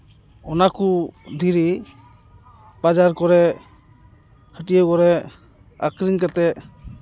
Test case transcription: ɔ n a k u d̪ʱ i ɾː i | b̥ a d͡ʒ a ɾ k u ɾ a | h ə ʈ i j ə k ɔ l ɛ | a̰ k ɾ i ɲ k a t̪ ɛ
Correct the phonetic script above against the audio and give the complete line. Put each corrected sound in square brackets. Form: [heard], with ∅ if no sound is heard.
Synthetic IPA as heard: ɔ n a k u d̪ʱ i [ɾ] i | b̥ a d͡ʒ a ɾ k [ɔ] ɾ [ɛ] | h ə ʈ i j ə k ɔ [ɾ] ɛ | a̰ k ɾ i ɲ k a t̪ ɛ

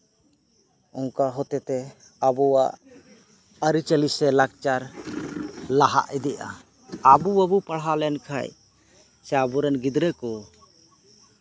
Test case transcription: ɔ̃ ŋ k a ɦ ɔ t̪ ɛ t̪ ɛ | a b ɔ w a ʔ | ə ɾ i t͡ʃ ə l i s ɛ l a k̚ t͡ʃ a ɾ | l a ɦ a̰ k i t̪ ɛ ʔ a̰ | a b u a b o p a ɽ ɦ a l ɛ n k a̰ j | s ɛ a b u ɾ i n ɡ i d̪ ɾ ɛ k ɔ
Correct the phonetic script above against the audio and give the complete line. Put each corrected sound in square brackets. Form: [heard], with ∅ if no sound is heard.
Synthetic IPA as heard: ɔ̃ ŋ k a ɦ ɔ t̪ ɛ t̪ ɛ | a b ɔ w a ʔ | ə ɾ i t͡ʃ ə l i s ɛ l a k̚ t͡ʃ a ɾ | l a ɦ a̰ [ʔ] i [d̪] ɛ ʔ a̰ | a b u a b [u] p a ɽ ɦ a l ɛ n [kʰ] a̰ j | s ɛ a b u ɾ [ɛ] n ɡ i d̪ ɾ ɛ k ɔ

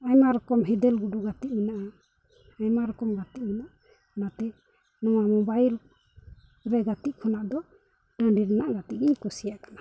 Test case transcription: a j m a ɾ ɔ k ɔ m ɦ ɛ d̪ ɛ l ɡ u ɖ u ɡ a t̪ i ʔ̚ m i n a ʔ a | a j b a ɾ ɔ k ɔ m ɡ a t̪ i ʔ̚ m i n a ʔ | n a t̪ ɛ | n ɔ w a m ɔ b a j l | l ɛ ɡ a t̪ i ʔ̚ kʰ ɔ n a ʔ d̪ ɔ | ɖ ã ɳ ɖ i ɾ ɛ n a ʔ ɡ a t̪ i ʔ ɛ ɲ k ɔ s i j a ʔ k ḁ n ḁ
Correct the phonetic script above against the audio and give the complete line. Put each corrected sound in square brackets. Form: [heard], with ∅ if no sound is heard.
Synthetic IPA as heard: a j m a ɾ ɔ k ɔ m ɦ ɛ d̪ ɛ l ɡ u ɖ u ɡ a t̪ i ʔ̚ m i n a ʔ a | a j [m] a ɾ ɔ k ɔ m ɡ a t̪ i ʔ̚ m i n a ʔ | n a t̪ ɛ | n ɔ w a m ɔ b a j l | [ɾ] ɛ ɡ a t̪ i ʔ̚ kʰ ɔ n a ʔ d̪ ɔ | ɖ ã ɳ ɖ i ɾ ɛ n a ʔ ɡ a t̪ i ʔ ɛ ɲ k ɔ s i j a ʔ k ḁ n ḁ

